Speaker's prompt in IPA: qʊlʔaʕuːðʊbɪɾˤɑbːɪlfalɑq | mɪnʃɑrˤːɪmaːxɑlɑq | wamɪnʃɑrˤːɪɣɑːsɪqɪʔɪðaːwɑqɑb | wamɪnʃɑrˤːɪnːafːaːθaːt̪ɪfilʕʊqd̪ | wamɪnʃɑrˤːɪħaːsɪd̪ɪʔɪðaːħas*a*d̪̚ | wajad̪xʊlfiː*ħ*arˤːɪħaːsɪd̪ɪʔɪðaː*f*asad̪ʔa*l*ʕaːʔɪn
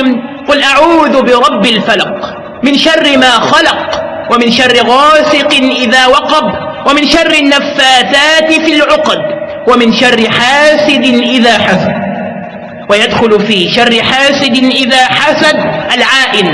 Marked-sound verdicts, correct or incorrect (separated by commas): correct, incorrect, incorrect, correct